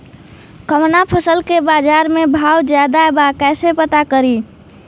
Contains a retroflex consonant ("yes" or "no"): no